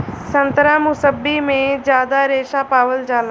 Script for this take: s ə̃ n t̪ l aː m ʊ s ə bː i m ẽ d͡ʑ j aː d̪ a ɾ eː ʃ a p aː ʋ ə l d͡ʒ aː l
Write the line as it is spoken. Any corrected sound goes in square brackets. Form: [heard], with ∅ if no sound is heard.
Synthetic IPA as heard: s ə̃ n t̪ [ɾ] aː m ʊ s ə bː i m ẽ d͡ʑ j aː d̪ a ɾ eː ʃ a p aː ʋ ə l d͡ʒ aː l